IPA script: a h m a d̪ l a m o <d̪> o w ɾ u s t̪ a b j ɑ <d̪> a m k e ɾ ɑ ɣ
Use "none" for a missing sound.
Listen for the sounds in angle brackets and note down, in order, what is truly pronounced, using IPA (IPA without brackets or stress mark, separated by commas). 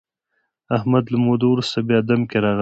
d̪, d̪